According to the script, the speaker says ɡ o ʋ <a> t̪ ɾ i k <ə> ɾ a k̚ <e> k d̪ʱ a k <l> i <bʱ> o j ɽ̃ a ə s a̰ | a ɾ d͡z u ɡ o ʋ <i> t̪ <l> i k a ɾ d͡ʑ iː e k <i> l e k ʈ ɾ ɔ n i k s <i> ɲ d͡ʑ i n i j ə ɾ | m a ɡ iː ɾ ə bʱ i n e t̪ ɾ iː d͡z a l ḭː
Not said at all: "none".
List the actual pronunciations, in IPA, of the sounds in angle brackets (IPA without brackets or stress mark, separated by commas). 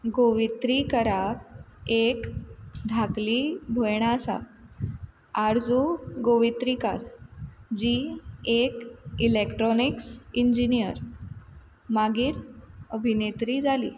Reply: i, ə, e, l, bʱ, i, ɾ, i, i